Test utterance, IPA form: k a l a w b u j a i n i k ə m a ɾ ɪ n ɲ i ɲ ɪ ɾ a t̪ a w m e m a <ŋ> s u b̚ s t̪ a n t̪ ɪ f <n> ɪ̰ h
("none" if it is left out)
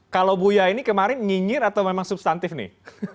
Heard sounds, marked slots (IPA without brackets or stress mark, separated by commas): ŋ, n